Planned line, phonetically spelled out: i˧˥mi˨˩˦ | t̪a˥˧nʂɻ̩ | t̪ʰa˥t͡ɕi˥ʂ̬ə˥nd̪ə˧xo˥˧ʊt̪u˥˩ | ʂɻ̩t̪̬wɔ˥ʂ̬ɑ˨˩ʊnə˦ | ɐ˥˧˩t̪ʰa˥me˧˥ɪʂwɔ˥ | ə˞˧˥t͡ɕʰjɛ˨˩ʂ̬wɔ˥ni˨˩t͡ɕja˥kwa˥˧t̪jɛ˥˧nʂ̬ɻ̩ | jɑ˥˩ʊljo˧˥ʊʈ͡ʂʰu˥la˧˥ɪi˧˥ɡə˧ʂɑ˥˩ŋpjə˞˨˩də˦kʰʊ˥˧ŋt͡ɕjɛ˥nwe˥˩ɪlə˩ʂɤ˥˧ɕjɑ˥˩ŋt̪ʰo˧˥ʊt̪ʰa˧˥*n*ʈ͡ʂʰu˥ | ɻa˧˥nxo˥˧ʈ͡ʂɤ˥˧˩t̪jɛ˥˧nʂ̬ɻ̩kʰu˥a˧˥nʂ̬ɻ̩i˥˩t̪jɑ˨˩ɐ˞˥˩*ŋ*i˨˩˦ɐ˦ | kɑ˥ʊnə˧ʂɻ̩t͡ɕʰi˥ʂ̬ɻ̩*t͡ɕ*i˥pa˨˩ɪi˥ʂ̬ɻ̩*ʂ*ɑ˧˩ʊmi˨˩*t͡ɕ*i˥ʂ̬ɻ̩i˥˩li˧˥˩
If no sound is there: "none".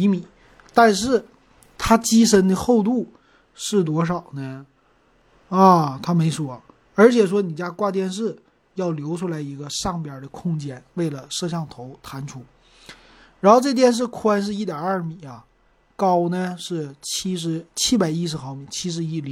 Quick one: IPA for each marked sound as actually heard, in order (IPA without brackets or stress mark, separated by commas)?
n, m, t͡ɕʰ, x, t͡ɕʰ